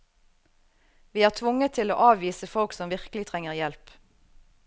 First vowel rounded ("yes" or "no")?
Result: no